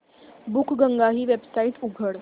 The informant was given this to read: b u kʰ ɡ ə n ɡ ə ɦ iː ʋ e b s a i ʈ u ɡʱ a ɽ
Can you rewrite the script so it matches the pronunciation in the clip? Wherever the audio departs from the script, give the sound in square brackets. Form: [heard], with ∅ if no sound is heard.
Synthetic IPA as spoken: b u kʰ ɡ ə [ŋ] ɡ [a] ɦ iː ʋ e b s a i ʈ u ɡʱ [ə] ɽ